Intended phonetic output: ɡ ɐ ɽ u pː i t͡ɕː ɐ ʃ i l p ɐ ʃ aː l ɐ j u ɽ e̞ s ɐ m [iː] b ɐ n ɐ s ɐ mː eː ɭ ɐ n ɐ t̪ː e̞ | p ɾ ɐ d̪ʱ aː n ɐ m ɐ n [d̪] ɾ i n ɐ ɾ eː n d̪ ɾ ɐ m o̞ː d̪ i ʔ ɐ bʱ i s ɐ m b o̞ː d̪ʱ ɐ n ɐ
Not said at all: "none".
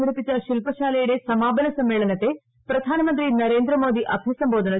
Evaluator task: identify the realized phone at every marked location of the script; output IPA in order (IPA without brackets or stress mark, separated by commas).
aː, t̪